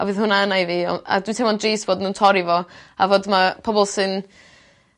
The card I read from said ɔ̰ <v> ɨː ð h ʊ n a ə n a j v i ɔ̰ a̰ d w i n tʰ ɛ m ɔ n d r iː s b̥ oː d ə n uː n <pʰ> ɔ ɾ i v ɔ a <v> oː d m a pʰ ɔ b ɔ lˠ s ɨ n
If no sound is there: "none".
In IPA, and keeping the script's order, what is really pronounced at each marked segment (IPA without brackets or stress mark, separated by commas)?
v, tʰ, v